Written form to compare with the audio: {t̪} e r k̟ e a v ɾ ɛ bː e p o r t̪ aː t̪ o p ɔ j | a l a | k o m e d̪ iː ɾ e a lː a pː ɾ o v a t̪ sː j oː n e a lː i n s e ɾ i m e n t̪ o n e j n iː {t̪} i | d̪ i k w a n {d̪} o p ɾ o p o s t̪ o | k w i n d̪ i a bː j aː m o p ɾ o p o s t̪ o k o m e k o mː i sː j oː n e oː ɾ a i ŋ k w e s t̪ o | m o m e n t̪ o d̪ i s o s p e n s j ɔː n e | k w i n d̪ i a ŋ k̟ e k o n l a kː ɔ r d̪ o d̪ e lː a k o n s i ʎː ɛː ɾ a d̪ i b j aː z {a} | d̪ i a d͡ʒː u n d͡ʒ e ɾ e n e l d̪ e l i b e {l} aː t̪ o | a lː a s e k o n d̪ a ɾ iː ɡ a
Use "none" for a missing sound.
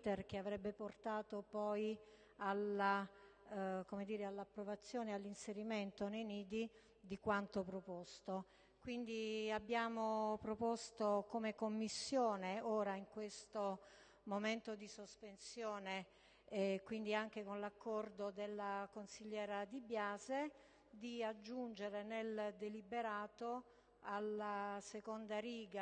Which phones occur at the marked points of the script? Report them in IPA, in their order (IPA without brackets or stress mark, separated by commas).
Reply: t̪, d̪, t̪, e, ɾ